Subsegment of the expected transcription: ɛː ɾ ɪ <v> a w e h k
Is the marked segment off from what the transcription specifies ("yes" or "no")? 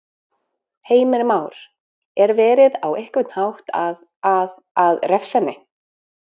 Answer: yes